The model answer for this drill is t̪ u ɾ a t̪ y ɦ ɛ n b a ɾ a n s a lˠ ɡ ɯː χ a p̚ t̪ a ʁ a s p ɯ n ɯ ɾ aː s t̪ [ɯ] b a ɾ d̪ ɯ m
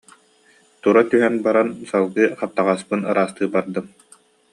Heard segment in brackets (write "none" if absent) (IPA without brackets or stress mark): ɯː